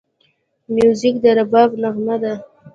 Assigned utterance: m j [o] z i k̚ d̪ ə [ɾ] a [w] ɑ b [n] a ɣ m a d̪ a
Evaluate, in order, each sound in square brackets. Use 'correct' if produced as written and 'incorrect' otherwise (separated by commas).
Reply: incorrect, correct, incorrect, correct